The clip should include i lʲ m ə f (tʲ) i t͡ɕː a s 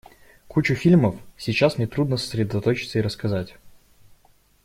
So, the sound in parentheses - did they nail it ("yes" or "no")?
no